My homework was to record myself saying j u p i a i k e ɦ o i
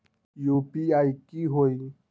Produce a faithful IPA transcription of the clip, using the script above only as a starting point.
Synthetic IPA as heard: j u p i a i k i ɦ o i